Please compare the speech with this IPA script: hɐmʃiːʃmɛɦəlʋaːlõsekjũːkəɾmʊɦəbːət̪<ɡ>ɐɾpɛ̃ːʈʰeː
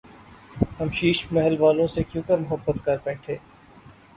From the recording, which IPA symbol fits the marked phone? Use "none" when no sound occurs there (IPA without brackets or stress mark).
k